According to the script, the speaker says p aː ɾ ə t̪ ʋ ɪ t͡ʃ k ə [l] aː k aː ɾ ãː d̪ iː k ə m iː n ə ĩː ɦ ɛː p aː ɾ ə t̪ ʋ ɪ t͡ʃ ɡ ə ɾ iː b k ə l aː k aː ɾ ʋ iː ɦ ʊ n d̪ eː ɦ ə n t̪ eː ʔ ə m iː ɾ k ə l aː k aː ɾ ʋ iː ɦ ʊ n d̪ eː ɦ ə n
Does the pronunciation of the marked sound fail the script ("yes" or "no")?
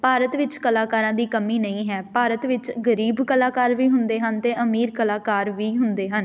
no